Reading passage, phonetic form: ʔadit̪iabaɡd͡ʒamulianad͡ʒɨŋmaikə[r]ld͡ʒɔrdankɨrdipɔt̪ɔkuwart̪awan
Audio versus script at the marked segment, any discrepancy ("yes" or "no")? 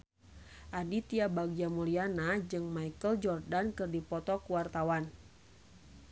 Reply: yes